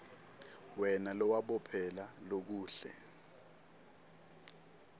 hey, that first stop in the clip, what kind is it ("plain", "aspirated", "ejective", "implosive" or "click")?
implosive